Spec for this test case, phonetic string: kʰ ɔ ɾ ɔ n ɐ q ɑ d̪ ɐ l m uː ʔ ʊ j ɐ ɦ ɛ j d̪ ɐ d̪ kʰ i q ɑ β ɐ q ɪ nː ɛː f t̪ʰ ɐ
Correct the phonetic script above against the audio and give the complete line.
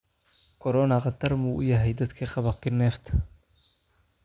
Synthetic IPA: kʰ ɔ ɾ ɔ n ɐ q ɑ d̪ ɐ r m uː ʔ ʊ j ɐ ɦ ɛ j d̪ ɐ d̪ kʰ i q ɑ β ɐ q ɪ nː ɛː f t̪ʰ ɐ